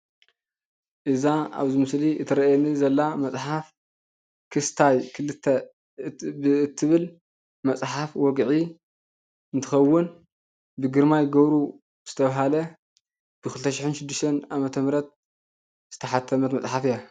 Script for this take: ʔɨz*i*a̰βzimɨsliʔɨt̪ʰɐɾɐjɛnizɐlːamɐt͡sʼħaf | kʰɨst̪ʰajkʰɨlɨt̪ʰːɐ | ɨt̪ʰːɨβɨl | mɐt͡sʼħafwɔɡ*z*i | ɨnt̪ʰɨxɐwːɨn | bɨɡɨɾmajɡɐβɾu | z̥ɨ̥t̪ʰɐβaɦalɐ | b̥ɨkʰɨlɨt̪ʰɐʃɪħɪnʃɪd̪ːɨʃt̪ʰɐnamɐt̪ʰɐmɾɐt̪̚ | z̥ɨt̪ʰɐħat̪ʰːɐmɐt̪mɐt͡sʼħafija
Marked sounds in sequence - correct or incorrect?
incorrect: a, incorrect: ʕ

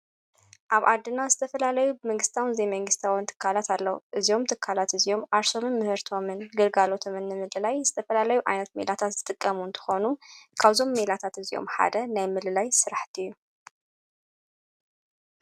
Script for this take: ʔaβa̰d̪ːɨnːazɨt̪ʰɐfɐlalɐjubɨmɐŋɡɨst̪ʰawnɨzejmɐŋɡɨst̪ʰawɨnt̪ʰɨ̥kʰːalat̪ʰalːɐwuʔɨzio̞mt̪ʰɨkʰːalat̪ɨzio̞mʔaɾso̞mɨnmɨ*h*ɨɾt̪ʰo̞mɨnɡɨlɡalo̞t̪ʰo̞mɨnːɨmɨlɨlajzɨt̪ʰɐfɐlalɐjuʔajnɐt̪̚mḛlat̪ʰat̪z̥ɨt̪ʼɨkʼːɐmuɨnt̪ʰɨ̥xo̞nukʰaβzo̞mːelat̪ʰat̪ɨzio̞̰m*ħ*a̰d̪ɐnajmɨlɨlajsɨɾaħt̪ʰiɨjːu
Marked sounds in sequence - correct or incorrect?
correct, correct

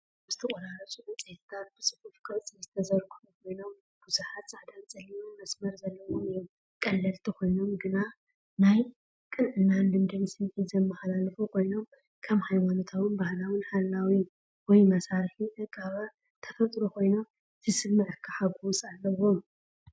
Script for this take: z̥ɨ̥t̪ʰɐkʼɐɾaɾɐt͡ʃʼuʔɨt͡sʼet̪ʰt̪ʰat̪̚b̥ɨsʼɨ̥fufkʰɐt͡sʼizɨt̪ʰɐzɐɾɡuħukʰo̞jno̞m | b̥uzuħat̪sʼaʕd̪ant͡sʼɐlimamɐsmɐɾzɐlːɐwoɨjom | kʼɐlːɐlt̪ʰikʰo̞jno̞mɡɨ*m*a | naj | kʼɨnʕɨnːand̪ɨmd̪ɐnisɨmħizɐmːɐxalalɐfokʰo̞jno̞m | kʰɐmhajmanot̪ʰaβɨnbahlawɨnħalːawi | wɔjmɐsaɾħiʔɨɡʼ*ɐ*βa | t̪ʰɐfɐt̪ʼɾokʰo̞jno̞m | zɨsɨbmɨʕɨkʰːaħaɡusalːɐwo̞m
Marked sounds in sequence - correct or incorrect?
incorrect: n, incorrect: a

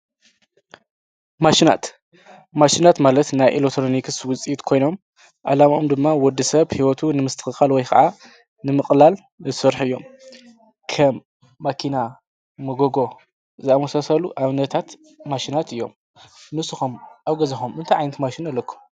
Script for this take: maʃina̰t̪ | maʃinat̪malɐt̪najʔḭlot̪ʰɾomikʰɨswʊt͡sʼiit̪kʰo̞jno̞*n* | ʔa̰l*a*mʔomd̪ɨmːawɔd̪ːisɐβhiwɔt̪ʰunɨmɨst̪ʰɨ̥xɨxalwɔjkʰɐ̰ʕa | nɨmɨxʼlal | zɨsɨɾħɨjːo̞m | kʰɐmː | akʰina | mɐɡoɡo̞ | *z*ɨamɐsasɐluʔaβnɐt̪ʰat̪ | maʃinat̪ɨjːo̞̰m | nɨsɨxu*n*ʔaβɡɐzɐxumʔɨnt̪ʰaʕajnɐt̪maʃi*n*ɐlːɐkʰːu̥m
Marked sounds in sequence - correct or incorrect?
incorrect: m, correct, correct, incorrect: m, correct

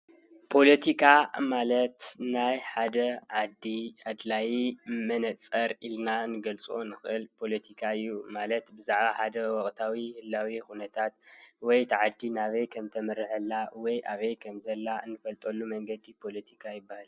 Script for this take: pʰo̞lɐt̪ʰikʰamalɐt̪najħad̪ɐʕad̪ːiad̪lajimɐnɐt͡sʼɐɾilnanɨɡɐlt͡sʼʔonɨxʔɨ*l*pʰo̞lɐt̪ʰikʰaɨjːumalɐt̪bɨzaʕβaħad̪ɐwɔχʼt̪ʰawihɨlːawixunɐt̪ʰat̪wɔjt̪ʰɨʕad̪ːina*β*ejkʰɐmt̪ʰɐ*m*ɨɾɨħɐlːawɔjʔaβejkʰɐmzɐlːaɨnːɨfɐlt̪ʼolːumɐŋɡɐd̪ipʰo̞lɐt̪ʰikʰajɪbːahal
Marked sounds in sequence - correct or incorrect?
correct, correct, correct

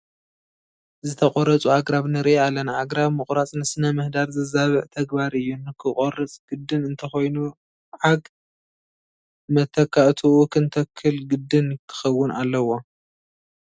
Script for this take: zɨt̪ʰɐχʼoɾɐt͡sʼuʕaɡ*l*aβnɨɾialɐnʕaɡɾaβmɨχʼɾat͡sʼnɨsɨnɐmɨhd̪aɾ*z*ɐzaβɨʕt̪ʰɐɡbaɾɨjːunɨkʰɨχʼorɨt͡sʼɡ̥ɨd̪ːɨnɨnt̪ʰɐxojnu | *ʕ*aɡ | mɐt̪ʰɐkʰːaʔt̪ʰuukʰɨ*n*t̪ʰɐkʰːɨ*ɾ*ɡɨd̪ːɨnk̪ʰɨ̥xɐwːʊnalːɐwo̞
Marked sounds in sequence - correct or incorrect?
incorrect: ɾ, correct, correct, correct, incorrect: l

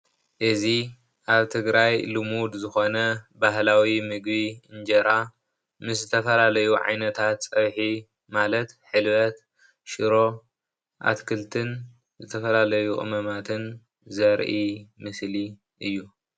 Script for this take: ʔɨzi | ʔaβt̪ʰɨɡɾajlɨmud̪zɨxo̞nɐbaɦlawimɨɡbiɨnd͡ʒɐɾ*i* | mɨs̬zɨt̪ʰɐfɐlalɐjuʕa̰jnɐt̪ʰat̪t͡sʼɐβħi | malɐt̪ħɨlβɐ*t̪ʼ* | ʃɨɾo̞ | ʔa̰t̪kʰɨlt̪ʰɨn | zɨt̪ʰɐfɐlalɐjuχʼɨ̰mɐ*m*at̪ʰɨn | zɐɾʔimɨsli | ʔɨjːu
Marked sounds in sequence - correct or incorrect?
incorrect: a, incorrect: t̪, correct

